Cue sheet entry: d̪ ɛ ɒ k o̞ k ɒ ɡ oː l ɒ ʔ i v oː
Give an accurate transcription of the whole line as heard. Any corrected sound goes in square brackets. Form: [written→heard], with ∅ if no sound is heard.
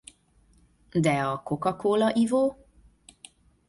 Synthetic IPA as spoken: d̪ ɛ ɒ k o̞ k ɒ [ɡ→k] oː l ɒ ʔ i v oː